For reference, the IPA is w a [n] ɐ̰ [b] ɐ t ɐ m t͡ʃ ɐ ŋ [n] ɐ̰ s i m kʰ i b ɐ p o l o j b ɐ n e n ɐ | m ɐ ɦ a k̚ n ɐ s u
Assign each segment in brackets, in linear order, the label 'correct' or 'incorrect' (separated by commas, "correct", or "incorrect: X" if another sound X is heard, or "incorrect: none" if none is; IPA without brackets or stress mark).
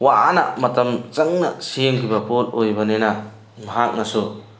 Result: correct, incorrect: m, correct